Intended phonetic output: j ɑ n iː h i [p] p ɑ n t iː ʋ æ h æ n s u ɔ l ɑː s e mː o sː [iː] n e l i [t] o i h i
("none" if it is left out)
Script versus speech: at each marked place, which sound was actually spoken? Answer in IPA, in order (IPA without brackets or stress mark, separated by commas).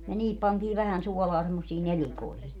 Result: p, iː, k